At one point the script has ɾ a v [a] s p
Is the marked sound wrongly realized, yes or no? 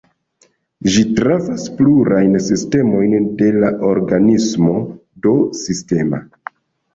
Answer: no